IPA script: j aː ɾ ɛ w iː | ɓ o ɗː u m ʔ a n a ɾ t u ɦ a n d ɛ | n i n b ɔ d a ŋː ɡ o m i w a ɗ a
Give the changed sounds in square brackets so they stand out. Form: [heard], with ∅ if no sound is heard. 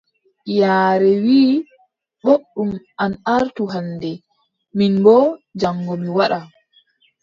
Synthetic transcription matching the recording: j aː ɾ ɛ w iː | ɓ o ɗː u m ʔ a n a ɾ t u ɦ a n d ɛ | [m] i n b ɔ [d͡ʒ] a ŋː ɡ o m i w a ɗ a